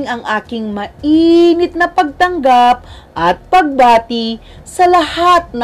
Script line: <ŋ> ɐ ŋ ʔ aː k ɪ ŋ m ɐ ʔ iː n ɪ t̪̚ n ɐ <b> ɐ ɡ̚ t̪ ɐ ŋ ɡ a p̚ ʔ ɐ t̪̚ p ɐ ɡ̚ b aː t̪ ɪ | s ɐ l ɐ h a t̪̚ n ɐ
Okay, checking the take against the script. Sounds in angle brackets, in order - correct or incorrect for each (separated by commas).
correct, incorrect